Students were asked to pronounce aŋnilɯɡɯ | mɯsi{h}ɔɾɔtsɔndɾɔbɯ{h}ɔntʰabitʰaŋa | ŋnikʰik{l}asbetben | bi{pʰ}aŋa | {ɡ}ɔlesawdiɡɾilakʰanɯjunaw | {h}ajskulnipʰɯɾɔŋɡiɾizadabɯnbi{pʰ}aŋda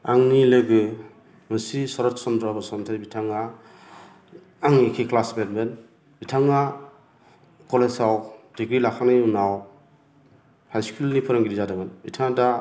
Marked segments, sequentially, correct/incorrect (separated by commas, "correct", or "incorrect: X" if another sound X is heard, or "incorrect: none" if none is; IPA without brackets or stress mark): incorrect: s, incorrect: s, correct, incorrect: tʰ, incorrect: k, correct, incorrect: tʰ